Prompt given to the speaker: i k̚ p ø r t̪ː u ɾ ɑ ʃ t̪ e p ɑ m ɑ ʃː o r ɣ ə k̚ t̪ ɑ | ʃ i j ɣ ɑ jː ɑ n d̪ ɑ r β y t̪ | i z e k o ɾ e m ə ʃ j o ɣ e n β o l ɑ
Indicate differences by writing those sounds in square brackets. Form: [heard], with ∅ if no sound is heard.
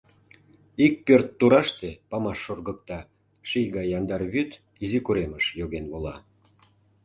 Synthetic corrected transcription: i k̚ p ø r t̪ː u ɾ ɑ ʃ t̪ e p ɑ m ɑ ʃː o r ɣ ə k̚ t̪ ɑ | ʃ i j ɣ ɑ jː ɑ n d̪ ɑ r β y t̪ | i z [i] k [u] ɾ e m ə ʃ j o ɣ e n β o l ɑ